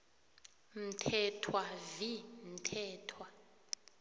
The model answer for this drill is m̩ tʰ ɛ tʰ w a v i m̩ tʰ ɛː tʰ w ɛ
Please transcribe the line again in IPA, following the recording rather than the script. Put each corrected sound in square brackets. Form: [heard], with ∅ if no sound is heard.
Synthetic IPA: m̩ tʰ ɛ tʰ w a v i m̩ tʰ ɛː tʰ w [a]